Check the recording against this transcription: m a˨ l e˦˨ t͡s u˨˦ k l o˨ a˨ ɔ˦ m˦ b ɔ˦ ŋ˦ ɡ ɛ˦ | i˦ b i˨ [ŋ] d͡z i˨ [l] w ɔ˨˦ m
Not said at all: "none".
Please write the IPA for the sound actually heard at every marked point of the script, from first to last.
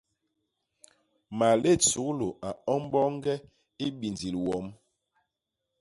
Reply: n, l

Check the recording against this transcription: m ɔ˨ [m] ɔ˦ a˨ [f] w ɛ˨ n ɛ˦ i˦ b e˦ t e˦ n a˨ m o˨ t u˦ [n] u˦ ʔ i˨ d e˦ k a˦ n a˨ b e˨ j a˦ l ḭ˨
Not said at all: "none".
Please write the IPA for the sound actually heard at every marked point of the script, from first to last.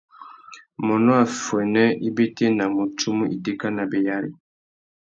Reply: n, f, m

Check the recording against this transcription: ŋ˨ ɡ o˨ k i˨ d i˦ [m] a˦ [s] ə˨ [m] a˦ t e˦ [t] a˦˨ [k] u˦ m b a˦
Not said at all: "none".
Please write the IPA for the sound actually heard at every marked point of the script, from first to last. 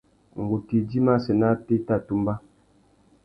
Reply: m, s, n, t, t

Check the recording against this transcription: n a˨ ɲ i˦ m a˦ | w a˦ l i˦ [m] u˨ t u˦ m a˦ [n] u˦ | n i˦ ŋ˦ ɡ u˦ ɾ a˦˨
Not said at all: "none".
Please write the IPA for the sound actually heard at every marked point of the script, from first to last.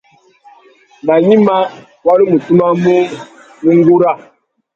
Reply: m, m

